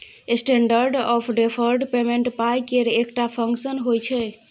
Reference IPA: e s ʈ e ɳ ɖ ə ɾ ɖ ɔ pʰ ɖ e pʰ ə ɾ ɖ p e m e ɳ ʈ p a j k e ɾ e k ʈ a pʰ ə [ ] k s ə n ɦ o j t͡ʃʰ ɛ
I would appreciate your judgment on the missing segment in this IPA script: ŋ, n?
ŋ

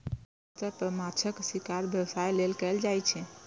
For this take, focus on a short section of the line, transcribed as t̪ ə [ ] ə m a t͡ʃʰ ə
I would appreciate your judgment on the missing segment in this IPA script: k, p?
p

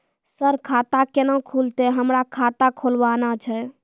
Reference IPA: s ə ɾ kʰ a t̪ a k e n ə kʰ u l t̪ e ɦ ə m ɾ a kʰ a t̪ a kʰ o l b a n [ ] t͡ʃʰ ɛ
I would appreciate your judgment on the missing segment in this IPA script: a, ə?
a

